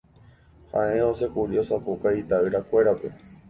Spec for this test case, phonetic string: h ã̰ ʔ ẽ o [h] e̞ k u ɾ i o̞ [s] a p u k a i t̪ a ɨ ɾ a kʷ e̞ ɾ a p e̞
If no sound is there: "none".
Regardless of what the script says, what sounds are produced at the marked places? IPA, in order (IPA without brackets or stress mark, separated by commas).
s, s